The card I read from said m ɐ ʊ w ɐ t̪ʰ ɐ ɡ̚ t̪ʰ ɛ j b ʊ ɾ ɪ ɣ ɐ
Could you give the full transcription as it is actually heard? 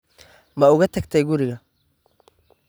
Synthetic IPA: m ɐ ʊ ɣ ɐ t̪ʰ ɐ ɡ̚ t̪ʰ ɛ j ɡ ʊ ɾ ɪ ɣ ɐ